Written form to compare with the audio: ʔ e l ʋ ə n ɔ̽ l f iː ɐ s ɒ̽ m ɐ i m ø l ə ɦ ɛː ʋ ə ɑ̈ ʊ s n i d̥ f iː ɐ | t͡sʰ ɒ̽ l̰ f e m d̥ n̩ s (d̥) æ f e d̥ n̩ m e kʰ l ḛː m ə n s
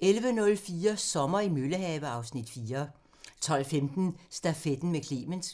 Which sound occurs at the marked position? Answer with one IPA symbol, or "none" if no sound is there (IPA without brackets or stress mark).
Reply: d̥